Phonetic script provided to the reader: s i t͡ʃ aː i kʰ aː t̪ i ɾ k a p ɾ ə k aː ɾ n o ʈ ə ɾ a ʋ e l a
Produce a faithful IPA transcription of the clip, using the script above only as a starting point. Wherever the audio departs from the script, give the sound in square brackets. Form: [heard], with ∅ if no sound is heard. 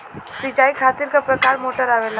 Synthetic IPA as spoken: s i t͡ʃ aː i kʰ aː t̪ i ɾ k a p ɾ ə k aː ɾ [m] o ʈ ə ɾ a ʋ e l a